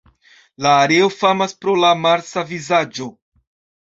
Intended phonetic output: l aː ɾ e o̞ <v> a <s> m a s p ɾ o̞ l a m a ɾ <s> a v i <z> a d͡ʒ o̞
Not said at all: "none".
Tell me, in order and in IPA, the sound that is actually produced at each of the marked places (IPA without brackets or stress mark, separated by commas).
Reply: f, none, s, z